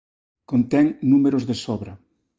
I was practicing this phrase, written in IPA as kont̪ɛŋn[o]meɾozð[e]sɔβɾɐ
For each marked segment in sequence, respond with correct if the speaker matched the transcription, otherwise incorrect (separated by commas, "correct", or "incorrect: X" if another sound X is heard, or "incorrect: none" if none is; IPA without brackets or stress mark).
incorrect: u, correct